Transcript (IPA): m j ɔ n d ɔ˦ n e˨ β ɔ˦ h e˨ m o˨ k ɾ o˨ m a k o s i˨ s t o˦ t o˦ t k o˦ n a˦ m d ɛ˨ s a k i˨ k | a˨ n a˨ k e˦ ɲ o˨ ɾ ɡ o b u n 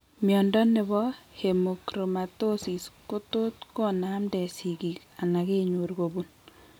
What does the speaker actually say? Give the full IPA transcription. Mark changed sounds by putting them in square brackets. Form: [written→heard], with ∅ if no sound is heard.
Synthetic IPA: m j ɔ n d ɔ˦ n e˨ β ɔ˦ h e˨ m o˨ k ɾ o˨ m a [k→t] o s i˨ s [t→k] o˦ t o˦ t k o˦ n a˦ m d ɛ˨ s [a→i] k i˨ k | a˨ n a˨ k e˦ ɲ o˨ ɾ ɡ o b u n

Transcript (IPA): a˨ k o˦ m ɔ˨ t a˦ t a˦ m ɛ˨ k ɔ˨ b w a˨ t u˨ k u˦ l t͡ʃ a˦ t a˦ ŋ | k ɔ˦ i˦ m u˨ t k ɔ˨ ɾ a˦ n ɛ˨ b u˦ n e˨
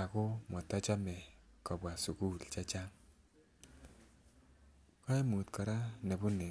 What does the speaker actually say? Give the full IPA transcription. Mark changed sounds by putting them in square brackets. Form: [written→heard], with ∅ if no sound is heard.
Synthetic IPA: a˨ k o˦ m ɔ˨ t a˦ [t→t͡ʃ] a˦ m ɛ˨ k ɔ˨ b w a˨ [t→s] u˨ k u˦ l t͡ʃ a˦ [t→t͡ʃ] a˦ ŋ | k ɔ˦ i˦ m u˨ t k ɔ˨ ɾ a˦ n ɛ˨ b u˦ n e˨

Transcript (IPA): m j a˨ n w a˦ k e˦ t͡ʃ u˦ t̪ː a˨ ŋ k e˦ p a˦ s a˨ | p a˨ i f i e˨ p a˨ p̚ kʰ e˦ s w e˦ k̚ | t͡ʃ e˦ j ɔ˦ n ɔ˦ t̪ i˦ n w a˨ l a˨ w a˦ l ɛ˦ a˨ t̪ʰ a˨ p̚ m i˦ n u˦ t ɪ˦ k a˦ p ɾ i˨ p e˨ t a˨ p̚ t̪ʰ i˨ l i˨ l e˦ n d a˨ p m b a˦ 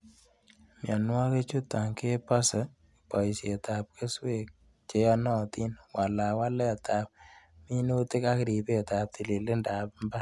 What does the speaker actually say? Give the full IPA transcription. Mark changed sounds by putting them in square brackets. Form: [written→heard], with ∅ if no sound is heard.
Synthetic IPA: m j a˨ n w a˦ k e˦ t͡ʃ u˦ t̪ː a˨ ŋ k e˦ p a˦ s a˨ | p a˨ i [f→s] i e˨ [p→t] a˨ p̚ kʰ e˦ s w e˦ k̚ | t͡ʃ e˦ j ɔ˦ n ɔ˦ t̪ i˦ n w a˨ l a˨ w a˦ l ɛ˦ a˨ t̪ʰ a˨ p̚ m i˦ n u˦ t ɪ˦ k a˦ [p→k] ɾ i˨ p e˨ t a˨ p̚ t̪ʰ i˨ l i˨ l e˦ n d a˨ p m b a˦

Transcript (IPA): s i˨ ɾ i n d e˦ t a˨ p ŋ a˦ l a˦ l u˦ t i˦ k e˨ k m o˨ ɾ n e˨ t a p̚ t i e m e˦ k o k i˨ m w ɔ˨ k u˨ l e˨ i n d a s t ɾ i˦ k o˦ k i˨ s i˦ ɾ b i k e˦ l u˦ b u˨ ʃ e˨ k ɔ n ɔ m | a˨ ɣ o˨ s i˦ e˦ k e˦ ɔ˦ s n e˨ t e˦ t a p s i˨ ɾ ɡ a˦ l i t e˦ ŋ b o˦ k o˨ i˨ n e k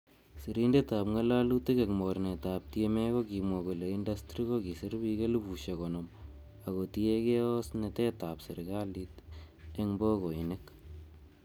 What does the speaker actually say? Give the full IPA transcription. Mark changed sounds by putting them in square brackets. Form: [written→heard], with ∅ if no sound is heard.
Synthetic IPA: s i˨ ɾ i n d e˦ t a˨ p ŋ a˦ l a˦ l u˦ t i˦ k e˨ k m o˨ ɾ n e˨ t a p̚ t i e m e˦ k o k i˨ m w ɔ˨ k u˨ l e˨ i n d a s t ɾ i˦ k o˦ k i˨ s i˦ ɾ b i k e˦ l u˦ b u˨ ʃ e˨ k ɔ n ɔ m | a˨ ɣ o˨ [s→t] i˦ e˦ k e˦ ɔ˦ s n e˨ t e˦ t a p s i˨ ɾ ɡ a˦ l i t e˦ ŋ b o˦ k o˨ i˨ n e k

